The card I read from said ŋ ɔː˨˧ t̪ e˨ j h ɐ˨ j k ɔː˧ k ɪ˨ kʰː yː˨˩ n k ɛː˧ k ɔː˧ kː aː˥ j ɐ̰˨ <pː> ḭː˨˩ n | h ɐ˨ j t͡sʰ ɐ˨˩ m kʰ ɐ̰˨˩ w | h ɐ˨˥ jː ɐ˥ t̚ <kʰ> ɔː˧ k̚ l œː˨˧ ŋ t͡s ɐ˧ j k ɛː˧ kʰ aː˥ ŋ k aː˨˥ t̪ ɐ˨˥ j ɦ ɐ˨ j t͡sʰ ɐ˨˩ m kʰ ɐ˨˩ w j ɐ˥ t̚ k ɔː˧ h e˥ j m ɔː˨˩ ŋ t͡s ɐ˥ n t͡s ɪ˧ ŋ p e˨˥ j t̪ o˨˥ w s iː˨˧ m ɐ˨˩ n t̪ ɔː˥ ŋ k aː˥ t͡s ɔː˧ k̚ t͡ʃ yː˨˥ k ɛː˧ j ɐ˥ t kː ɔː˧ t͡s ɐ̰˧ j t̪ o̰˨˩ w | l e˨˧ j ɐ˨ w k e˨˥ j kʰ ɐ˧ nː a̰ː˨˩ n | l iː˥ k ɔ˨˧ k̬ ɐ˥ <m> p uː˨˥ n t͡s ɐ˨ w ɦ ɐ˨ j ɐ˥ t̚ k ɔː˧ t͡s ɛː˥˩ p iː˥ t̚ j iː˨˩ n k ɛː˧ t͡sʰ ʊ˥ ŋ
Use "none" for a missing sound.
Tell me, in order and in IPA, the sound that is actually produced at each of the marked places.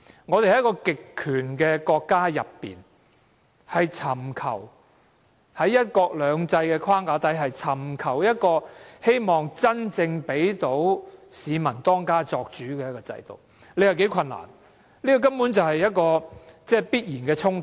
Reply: pː, k, m

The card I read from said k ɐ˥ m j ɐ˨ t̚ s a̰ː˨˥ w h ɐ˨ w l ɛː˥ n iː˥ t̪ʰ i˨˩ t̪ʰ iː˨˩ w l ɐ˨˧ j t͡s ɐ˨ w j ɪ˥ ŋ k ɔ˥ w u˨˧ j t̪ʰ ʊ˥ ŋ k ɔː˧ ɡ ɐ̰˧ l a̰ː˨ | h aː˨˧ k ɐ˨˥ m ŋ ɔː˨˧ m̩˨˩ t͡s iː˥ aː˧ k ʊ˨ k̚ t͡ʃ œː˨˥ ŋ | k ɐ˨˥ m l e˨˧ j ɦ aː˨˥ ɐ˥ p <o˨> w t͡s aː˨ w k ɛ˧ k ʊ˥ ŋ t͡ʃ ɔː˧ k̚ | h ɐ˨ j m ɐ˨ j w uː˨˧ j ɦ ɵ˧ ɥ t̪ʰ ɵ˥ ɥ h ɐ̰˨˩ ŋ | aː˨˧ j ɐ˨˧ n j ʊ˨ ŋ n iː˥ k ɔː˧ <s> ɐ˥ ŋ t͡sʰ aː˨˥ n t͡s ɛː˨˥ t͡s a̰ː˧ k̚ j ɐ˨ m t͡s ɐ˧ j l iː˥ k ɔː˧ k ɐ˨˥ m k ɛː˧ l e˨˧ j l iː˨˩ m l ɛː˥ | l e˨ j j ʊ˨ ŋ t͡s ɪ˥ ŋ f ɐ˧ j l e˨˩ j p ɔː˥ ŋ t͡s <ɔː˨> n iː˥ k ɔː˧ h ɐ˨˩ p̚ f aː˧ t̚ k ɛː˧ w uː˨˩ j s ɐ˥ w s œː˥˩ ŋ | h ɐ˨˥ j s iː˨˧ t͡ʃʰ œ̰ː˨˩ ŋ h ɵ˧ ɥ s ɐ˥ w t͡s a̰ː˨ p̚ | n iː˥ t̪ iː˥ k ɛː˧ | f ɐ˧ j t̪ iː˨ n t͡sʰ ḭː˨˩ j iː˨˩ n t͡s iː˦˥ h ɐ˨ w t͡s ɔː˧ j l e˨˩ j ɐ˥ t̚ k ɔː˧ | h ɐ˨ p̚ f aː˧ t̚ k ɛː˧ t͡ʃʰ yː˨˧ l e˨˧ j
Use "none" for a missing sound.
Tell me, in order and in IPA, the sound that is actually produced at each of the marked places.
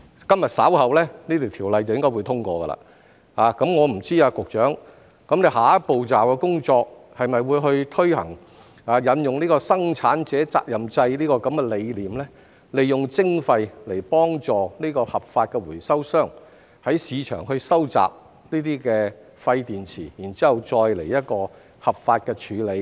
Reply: o˨, s, ɔː˨

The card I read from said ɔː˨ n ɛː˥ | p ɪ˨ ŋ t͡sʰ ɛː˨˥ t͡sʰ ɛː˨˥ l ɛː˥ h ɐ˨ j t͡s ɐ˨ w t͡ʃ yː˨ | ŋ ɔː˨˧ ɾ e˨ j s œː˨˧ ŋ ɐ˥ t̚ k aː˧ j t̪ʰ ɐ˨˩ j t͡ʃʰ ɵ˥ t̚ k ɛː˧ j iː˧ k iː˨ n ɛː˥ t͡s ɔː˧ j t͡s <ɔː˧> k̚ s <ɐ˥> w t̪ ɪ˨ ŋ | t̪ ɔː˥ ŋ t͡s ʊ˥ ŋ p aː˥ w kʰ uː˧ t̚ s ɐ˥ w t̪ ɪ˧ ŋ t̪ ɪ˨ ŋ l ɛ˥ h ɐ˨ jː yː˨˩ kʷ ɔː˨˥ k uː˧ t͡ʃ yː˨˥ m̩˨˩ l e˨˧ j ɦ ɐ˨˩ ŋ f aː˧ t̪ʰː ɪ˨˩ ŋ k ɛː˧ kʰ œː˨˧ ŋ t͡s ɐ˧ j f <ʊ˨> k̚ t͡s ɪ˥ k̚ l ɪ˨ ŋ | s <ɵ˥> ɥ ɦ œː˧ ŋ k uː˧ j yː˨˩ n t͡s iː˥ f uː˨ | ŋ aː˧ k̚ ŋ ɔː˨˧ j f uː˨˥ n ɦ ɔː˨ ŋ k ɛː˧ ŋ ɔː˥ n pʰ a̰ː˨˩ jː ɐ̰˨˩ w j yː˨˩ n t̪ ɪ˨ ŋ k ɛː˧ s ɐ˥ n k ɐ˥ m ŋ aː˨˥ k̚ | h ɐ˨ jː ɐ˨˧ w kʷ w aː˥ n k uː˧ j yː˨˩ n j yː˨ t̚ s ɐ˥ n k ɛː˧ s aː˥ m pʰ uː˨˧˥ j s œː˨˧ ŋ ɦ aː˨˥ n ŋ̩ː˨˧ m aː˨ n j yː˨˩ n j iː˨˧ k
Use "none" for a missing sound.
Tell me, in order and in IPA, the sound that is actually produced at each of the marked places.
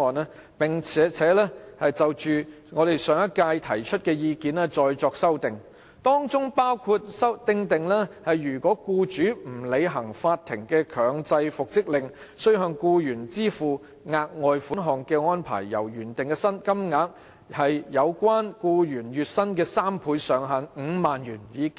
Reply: ɔː˧, ɐ˥, ʊ˨, ɵ˥

